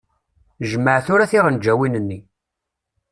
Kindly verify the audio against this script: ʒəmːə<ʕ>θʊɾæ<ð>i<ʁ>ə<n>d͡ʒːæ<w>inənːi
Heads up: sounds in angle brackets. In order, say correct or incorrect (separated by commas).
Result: correct, incorrect, correct, correct, correct